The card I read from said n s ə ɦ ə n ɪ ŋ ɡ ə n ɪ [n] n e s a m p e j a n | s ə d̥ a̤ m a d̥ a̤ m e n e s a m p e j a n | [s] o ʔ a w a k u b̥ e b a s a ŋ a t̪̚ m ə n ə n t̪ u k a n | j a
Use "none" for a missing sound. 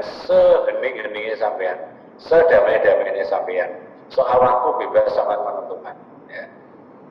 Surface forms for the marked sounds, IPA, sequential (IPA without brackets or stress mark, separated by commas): ŋ, s